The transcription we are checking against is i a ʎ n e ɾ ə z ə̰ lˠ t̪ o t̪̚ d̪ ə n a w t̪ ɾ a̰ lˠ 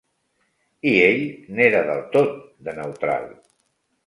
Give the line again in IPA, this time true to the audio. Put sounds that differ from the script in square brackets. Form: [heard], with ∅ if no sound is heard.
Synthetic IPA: i [e] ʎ n e ɾ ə [ð] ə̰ lˠ t̪ o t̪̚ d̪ ə n [ə] w t̪ ɾ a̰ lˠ